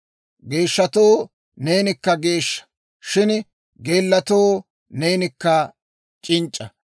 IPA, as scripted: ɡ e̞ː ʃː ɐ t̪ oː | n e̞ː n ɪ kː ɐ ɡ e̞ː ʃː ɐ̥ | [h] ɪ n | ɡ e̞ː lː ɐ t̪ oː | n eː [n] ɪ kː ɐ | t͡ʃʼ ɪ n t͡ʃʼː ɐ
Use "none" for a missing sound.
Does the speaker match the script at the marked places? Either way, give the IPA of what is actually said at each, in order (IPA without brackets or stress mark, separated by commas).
ʃ, n